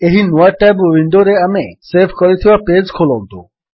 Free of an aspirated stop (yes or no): no